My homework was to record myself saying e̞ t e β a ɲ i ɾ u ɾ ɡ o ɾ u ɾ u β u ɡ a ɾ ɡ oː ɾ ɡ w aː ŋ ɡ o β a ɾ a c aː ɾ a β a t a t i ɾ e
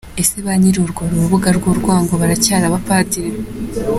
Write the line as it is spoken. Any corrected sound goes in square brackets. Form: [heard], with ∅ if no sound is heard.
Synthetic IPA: e̞ [s] e β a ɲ i ɾ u ɾ ɡ o ɾ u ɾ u β u ɡ a ɾ ɡ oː ɾ ɡ w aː ŋ ɡ o β a ɾ a c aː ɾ a β a [p] a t i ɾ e